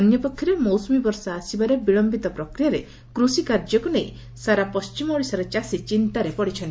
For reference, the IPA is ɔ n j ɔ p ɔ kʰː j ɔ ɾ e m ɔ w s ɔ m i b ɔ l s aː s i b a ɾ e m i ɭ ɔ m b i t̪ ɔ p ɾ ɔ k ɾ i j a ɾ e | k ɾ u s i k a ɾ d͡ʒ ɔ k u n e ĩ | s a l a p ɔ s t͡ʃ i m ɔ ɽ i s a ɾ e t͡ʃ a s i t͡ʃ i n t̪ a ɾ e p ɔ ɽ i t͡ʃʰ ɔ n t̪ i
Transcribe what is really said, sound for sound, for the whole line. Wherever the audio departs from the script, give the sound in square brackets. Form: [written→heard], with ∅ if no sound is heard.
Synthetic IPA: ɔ n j ɔ p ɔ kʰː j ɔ ɾ e m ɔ w s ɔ m i b ɔ [l→ɾ] s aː s i b a ɾ e [m→b] i ɭ ɔ m b i t̪ ɔ p ɾ ɔ k ɾ i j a ɾ e | k ɾ u s i k a ɾ d͡ʒ ɔ k u n e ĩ | s a [l→ɾ] a p ɔ s t͡ʃ i m ɔ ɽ i s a ɾ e t͡ʃ a s i t͡ʃ i n t̪ a ɾ e p ɔ ɽ i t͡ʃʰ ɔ n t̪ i